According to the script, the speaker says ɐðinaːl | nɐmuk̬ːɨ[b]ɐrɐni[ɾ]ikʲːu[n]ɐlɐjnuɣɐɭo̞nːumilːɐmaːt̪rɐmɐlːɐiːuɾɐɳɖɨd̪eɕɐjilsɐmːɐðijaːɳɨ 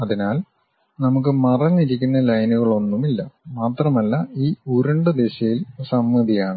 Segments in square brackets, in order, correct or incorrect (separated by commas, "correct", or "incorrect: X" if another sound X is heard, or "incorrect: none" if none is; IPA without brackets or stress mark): incorrect: m, correct, incorrect: nː